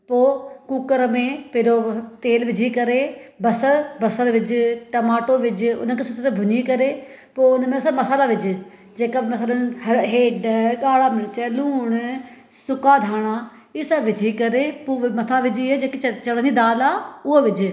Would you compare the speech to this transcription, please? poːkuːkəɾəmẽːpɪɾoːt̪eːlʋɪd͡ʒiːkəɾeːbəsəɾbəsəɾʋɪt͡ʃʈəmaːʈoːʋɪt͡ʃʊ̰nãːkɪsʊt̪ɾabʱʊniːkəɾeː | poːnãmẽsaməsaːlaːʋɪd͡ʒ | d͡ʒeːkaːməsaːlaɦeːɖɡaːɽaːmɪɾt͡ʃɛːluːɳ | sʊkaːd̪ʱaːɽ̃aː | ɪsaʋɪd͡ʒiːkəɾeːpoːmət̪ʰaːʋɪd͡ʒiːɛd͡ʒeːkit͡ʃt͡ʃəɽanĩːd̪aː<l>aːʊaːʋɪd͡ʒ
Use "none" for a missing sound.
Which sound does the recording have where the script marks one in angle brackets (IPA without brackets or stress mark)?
l